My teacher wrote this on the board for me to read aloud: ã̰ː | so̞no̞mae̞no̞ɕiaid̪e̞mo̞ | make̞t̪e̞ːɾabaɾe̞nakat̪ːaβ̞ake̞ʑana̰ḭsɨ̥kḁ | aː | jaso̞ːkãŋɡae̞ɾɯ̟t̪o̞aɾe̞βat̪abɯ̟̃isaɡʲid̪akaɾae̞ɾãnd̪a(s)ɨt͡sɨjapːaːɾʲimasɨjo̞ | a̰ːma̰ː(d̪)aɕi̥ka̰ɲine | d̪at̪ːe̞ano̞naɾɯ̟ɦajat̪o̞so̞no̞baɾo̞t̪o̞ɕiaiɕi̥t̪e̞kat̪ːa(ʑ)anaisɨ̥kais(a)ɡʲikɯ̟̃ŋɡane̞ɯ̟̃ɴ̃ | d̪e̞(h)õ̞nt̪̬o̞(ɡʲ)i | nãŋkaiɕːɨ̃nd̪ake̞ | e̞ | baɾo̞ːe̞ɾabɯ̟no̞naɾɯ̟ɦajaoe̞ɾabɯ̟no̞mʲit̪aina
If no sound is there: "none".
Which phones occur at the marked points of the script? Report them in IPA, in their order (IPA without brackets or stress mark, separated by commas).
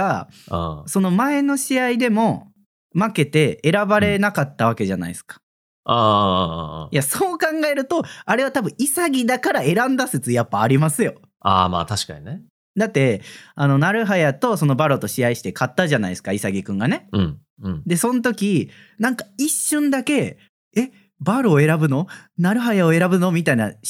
s, t̪, ʑ, a, s, kʲ